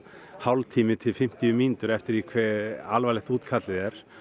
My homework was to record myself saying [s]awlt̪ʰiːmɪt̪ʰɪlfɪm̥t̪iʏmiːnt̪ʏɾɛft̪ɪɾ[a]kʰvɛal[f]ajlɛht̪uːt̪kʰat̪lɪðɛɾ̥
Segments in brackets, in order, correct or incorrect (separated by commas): incorrect, incorrect, incorrect